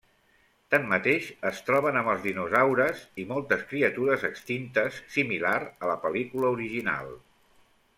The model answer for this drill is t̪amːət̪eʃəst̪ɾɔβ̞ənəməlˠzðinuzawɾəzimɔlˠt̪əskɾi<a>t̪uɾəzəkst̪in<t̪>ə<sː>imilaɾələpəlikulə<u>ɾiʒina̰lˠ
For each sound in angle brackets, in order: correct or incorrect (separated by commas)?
incorrect, correct, correct, correct